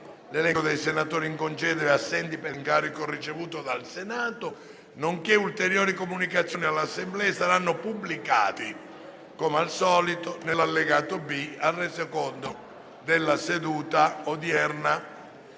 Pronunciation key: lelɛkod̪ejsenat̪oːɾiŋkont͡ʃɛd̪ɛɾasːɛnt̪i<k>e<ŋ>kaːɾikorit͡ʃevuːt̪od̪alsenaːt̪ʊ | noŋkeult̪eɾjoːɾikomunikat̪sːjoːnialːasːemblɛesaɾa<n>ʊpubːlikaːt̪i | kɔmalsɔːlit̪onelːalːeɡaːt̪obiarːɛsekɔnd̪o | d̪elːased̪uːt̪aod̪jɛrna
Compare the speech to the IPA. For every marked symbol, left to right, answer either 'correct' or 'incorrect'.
incorrect: p, correct, incorrect: nː

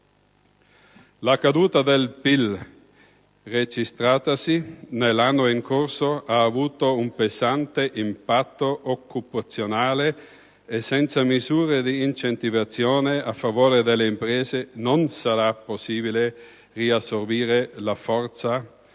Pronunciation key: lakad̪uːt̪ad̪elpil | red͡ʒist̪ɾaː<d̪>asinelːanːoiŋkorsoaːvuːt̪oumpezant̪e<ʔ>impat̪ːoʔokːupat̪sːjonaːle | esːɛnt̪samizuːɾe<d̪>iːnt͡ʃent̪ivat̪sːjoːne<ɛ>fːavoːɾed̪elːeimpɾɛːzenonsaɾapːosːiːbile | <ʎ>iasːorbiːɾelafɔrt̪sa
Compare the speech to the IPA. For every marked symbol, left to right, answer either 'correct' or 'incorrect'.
incorrect: t̪, correct, correct, incorrect: a, incorrect: r

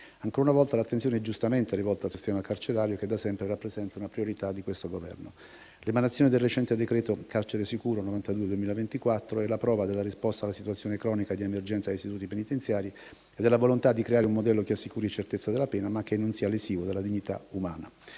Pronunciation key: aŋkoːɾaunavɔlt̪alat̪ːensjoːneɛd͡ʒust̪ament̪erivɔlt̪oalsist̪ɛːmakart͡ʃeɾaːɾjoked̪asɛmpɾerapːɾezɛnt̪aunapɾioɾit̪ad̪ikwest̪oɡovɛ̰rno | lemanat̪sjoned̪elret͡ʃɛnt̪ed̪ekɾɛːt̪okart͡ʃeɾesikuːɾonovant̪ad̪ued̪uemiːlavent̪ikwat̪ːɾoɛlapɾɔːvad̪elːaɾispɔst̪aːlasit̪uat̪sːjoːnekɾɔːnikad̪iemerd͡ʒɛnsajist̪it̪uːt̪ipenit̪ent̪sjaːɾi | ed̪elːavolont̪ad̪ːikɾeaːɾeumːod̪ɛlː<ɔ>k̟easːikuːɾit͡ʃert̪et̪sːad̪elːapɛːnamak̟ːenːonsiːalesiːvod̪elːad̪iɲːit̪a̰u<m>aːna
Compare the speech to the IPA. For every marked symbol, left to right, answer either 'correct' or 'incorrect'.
incorrect: o, correct

